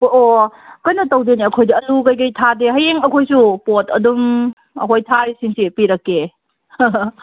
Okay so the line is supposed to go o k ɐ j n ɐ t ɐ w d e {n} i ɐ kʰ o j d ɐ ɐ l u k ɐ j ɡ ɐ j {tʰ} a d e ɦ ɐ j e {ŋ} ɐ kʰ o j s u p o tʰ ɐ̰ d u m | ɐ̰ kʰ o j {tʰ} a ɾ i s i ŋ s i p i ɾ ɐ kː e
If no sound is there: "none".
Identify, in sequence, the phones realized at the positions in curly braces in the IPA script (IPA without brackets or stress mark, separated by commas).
n, tʰ, ŋ, tʰ